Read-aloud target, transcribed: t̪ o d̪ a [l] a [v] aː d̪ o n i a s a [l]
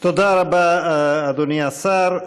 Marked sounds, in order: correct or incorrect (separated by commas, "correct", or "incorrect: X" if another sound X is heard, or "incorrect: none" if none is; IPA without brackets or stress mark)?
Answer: incorrect: ɾ, incorrect: b, incorrect: ɾ